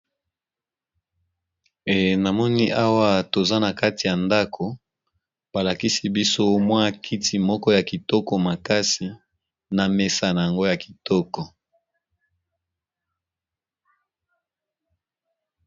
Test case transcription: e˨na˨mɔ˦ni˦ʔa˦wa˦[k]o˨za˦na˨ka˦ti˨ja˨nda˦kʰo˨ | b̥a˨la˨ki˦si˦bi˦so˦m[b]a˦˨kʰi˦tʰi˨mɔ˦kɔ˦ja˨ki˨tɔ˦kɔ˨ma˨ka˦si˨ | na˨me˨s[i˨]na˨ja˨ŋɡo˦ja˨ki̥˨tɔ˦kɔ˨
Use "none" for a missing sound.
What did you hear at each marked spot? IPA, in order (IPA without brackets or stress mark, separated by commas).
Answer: t, w, a˨